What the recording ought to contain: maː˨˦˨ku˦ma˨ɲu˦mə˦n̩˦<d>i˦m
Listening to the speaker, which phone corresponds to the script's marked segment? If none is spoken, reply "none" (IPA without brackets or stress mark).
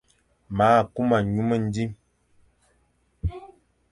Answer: d